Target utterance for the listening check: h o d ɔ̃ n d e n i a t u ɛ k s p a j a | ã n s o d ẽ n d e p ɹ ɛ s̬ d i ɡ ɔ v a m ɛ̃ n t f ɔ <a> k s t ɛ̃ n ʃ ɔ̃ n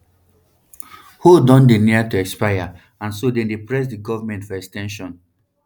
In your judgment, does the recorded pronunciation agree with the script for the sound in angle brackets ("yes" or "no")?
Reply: no